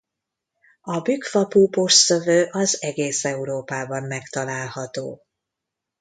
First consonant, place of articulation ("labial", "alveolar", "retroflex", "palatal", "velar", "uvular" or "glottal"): labial